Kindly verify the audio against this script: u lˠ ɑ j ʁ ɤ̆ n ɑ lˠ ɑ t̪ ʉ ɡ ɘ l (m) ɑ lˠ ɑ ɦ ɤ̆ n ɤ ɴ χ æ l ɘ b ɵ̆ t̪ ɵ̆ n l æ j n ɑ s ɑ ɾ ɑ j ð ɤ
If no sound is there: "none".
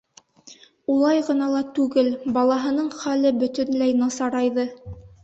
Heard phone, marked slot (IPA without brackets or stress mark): b